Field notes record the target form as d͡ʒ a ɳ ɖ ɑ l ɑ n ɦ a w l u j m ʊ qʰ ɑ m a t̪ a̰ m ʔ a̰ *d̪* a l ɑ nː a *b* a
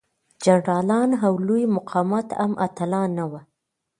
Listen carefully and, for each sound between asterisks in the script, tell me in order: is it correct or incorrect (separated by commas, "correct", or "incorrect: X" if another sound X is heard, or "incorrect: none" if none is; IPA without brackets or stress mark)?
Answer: incorrect: t̪, incorrect: w